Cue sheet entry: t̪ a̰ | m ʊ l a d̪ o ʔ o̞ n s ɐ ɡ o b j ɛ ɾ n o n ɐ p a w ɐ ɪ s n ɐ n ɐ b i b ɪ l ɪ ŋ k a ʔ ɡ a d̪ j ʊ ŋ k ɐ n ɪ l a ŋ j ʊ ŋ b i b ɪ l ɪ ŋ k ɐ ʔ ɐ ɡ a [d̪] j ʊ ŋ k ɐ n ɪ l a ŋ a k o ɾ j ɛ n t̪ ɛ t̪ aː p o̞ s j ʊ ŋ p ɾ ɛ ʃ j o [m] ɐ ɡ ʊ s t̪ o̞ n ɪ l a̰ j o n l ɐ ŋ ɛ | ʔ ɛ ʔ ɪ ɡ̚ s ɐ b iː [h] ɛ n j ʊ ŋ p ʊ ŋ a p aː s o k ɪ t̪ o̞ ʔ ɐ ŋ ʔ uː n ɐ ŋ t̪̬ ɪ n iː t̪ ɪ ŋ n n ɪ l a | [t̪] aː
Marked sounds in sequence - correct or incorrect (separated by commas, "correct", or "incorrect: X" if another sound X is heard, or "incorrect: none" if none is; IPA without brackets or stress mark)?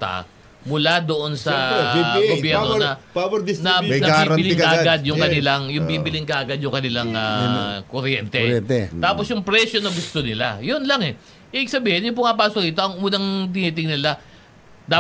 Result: correct, incorrect: n, correct, incorrect: d̪